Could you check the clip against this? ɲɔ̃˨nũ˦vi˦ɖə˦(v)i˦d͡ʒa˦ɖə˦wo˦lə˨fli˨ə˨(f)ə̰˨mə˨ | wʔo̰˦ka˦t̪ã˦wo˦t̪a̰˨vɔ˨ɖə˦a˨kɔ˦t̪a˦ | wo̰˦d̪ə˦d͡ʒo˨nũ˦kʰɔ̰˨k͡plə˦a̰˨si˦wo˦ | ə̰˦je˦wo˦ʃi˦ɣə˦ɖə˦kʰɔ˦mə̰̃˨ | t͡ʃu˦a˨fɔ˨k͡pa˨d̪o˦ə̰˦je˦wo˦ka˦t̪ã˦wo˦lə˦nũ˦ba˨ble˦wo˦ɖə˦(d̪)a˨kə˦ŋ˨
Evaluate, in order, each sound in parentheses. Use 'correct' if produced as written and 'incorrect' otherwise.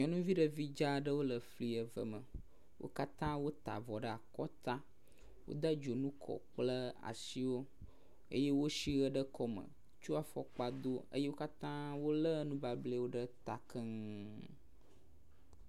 correct, incorrect, incorrect

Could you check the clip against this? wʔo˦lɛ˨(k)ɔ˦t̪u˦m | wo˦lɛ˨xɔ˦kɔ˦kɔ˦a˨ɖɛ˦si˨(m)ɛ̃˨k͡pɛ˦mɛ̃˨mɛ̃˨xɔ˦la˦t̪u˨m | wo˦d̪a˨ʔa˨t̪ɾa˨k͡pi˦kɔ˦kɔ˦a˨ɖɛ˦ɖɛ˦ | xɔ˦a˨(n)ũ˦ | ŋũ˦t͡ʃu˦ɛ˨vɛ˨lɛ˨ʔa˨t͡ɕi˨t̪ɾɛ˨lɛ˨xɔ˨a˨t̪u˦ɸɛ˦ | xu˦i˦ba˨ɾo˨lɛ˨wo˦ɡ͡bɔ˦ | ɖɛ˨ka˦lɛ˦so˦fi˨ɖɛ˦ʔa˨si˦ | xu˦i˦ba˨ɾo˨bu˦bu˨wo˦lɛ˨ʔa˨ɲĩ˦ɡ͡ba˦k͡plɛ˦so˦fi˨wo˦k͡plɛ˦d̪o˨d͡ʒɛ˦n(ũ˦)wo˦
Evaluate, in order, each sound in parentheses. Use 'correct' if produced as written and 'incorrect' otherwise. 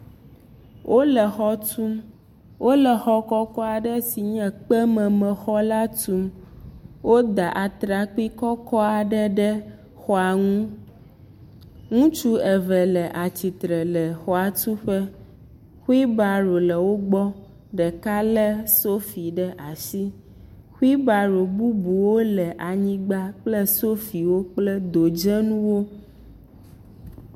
incorrect, incorrect, incorrect, correct

